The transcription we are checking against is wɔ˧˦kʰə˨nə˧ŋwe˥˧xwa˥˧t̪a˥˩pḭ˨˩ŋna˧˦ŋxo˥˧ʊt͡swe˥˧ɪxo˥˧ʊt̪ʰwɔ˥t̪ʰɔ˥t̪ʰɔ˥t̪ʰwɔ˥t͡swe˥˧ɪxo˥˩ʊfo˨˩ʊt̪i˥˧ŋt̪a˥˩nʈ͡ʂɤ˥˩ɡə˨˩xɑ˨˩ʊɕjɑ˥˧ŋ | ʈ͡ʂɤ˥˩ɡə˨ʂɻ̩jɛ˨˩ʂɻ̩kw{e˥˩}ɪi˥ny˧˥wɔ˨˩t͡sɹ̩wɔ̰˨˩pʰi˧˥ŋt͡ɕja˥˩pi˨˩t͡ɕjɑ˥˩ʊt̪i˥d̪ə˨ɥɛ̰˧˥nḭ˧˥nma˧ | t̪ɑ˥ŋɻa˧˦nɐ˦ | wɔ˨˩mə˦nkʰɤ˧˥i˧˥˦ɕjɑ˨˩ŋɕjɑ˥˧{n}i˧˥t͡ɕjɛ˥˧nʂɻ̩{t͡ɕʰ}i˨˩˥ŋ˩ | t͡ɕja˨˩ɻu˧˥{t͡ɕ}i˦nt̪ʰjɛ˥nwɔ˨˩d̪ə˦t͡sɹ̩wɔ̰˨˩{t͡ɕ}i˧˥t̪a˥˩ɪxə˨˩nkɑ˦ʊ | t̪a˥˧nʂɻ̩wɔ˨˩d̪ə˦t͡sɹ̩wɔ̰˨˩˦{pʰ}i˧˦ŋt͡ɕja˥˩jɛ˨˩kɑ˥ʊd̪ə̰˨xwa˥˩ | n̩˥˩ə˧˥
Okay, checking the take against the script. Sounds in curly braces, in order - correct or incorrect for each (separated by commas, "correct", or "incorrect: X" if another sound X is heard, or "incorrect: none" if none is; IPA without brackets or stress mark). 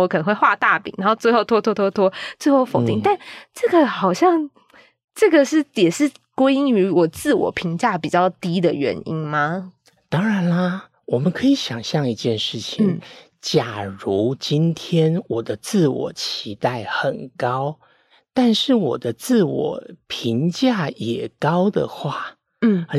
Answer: incorrect: e˥, incorrect: ŋ, correct, correct, incorrect: t͡ɕʰ, correct